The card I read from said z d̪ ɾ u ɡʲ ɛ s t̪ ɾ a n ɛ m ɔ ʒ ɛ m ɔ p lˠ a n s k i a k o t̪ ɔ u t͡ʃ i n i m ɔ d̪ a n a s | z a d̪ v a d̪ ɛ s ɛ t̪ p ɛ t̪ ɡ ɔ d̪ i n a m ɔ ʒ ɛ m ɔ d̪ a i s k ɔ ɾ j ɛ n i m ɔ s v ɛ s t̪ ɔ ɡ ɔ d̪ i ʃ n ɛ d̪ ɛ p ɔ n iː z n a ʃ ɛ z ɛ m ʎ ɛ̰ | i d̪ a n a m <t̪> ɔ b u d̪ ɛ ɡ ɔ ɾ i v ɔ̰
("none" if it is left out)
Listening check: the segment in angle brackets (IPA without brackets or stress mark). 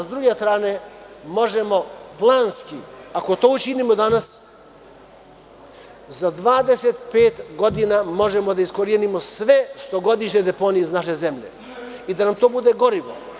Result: t̪